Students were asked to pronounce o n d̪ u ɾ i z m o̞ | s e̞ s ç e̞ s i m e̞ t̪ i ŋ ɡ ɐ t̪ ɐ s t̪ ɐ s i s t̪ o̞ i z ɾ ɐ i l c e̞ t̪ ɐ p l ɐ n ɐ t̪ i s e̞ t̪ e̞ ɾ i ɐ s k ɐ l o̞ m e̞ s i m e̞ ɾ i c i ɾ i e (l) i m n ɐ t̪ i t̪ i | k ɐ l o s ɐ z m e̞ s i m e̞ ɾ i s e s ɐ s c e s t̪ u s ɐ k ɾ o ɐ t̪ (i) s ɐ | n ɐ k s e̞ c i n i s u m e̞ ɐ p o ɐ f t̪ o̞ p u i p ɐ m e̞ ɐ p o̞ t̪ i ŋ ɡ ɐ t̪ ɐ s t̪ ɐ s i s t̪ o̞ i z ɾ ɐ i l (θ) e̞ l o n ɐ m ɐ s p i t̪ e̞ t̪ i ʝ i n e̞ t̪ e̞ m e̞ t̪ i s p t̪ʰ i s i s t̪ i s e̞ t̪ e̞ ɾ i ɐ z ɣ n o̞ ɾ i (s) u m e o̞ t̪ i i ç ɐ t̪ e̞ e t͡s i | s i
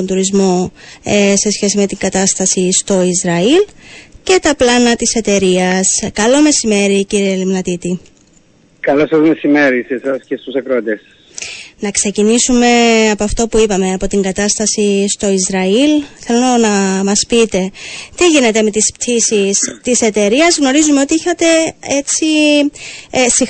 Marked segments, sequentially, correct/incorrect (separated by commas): correct, incorrect, correct, incorrect